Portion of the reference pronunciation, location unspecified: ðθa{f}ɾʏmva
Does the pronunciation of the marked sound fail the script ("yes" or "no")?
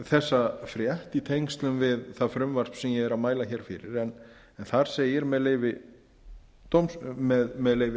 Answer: no